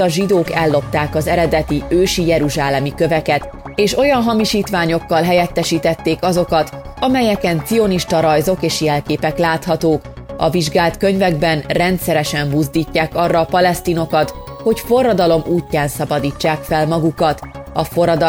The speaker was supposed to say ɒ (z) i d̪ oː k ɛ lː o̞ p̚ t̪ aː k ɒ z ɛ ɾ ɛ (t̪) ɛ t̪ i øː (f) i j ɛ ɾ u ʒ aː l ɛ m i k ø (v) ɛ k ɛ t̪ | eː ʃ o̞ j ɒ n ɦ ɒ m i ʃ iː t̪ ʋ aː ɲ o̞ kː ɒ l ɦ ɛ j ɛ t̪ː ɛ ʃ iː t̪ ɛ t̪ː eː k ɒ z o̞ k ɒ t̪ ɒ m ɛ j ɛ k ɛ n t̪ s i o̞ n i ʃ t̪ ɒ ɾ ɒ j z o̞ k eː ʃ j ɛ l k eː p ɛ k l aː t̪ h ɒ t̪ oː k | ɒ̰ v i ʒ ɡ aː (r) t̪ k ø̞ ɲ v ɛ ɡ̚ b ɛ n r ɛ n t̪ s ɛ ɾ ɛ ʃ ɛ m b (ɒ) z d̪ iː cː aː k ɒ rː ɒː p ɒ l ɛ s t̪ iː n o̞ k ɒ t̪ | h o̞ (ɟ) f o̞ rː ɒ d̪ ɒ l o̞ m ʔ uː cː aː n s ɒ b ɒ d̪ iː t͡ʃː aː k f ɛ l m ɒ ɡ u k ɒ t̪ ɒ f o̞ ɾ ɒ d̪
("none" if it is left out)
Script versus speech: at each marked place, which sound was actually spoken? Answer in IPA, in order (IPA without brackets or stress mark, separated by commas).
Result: ʒ, d̪, ʃ, v, l, u, c